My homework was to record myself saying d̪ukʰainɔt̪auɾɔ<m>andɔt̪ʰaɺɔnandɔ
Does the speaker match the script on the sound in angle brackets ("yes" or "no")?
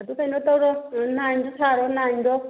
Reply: no